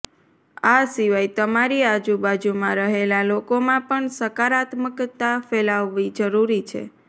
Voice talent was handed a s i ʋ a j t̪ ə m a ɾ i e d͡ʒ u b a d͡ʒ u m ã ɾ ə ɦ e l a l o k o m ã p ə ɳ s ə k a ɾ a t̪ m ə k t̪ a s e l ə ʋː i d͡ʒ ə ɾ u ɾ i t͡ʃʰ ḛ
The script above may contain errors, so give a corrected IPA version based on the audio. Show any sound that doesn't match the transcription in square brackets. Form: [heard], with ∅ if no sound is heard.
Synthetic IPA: a s i ʋ a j t̪ ə m a ɾ i [a] d͡ʒ u b a d͡ʒ u m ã ɾ ə ɦ e l a l o k o m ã p ə ɳ s ə k a ɾ a t̪ m ə k t̪ a [f] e l [a] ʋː i d͡ʒ ə ɾ u ɾ i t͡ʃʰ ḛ